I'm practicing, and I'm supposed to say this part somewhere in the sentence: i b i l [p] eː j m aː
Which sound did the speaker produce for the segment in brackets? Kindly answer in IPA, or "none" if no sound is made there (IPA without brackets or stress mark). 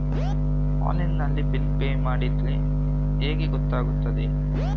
p